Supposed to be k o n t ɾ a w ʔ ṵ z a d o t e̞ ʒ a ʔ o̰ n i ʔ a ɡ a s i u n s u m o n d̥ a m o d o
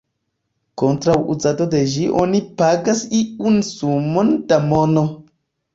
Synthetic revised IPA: k o n t ɾ a w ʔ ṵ z a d o d e̞ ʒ i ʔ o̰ n i p a ɡ a s i u n s u m o n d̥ a m o n o

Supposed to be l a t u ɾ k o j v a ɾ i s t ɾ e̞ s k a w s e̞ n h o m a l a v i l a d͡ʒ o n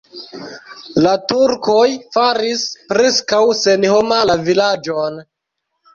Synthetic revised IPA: l a t u ɾ k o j f a ɾ i s p ɾ e̞ s k a w s e̞ n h o m a l a v i l a d͡ʒ o n

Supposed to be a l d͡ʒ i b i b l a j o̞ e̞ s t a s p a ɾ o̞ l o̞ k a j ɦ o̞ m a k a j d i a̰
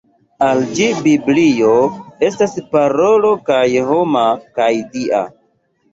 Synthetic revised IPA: a l d͡ʒ i b i b l i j o̞ e̞ s t a s p a ɾ o̞ l o̞ k a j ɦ o̞ m a k a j d i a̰

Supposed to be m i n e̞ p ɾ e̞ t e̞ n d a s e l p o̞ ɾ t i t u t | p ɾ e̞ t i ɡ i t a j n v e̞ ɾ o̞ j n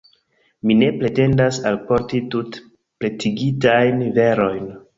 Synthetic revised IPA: m i n e̞ p ɾ e̞ t e̞ n d a s a l p o̞ ɾ t i t u t | p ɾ e̞ t i ɡ i t a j n v e̞ ɾ o̞ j n

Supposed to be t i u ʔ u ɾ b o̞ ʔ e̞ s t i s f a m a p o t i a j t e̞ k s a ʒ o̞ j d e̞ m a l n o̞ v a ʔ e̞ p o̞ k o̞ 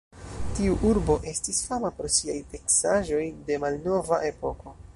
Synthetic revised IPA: t i u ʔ u ɾ b o̞ ʔ e̞ s t i s f a m a p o s i a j t e̞ k s a ʒ o̞ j d e̞ m a l n o̞ v a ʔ e̞ p o̞ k o̞

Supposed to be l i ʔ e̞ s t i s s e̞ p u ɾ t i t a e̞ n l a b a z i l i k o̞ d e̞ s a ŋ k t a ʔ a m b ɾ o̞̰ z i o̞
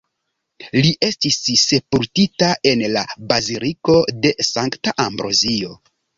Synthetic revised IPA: l i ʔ e̞ s t i s s e̞ p u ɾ t i t a e̞ n l a b a z i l i k o̞ d e̞ s a ŋ k t a ʔ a m b ɾ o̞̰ z i o̞

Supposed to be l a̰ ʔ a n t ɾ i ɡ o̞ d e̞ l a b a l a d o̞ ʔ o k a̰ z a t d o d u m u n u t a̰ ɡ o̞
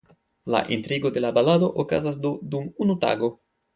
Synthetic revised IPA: l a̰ ʔ i n t ɾ i ɡ o̞ d e̞ l a b a l a d o̞ ʔ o k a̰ z a s d o d u m u n u t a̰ ɡ o̞

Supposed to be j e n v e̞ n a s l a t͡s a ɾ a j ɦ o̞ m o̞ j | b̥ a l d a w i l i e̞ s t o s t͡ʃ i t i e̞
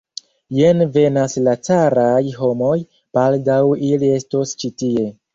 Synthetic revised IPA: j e n v e̞ n a s l a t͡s a ɾ a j ɦ o̞ m o̞ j | b̥ a l d a w i l i e̞ s t o s t͡ʃ i t i e̞

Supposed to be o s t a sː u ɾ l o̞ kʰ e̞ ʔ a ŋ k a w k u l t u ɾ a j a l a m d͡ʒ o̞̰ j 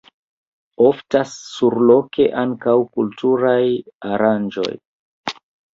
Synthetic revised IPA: o f t a sː u ɾ l o̞ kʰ e̞ ʔ a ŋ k a w k u l t u ɾ a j a ɾ a n d͡ʒ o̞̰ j

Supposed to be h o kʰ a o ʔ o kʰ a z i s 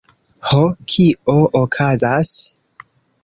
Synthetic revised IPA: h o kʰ i o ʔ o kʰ a z a s

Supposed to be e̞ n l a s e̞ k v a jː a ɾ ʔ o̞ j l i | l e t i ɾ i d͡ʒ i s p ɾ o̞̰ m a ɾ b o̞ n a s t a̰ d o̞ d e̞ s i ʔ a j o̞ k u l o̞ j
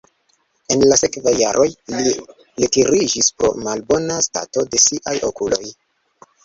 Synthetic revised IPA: e̞ n l a s e̞ k v a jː a ɾ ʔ o̞ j l i | l e t i ɾ i d͡ʒ i s p ɾ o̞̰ m a l b o̞ n a s t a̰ t o̞ d e̞ s i ʔ a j o̞ k u l o̞ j

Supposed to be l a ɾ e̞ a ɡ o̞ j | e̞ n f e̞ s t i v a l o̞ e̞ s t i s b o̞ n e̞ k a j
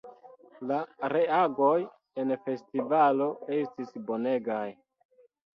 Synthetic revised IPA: l a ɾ e̞ a ɡ o̞ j | e̞ n f e̞ s t i v a l o̞ e̞ s t i s b o̞ n e̞ ɡ a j

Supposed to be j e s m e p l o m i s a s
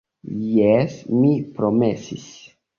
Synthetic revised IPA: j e s m i p ɾ o m e s i s

